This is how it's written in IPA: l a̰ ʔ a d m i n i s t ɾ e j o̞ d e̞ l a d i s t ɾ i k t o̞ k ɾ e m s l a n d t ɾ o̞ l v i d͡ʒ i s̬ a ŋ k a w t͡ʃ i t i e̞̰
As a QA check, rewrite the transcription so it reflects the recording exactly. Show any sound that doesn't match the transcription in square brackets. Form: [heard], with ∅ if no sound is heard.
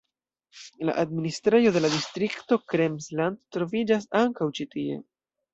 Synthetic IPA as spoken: l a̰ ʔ a d m i n i s t ɾ e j o̞ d e̞ l a d i s t ɾ i k t o̞ k ɾ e m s l a n d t ɾ o̞ [∅] v i d͡ʒ [a] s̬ a ŋ k a w t͡ʃ i t i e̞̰